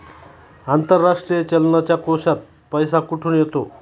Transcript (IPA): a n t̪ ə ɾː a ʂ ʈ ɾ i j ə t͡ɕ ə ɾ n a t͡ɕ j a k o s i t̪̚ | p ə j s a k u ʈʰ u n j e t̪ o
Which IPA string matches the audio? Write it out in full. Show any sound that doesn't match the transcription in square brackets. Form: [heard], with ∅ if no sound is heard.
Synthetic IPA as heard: a n t̪ ə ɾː a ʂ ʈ ɾ i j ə t͡ɕ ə [l] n a t͡ɕ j a k o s [a] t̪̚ | p ə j s a k u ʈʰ [uː] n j e t̪ o